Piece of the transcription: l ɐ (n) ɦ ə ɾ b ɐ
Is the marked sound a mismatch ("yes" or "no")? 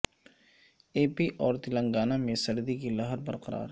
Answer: yes